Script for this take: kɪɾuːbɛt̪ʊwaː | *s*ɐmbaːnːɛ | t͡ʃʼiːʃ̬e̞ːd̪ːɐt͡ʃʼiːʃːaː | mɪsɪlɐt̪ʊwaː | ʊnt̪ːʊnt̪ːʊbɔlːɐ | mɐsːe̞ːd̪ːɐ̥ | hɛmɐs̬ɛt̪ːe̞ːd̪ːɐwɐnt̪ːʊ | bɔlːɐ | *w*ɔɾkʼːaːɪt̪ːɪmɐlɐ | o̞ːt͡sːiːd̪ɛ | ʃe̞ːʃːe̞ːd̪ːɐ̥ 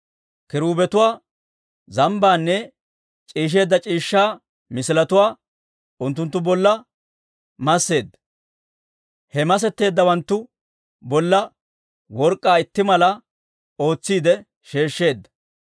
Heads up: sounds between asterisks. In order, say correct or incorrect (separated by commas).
incorrect, correct